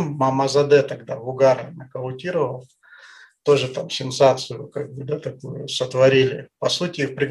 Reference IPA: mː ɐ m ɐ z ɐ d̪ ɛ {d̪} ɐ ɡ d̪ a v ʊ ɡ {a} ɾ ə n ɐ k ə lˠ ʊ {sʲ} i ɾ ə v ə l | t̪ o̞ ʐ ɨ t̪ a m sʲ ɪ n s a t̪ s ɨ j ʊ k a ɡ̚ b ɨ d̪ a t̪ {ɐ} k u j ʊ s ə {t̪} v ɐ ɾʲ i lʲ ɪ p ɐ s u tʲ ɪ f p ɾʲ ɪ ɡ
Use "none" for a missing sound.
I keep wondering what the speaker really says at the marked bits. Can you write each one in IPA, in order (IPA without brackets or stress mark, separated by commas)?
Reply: t̪, a, tʲ, ɐ, t̪